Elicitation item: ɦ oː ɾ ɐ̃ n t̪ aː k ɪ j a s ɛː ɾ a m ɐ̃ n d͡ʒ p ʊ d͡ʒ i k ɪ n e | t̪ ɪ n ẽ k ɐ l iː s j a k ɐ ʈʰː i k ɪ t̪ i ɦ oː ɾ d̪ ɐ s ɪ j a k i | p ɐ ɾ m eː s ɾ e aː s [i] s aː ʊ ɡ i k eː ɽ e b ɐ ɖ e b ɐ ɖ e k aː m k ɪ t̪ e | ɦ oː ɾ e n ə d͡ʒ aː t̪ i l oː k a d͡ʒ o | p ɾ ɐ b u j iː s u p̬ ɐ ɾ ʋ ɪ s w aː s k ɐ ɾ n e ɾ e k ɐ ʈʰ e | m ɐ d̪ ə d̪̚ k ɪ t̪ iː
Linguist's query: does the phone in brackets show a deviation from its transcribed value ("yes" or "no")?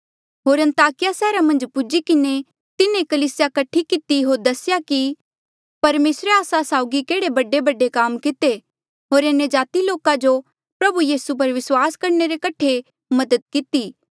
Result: yes